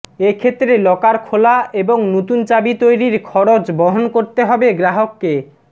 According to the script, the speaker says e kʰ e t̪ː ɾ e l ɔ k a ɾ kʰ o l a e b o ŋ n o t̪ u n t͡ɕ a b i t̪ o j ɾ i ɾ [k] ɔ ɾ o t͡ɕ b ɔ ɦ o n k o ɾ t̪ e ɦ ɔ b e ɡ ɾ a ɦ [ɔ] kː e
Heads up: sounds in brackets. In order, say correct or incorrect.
incorrect: kʰ, incorrect: o

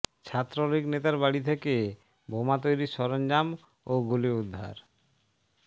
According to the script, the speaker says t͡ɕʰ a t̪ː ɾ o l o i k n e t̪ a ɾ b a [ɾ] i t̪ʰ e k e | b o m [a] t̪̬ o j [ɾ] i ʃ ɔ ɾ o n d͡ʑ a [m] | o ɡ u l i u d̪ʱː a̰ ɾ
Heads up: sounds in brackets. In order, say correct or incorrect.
incorrect: ɽ, correct, correct, correct

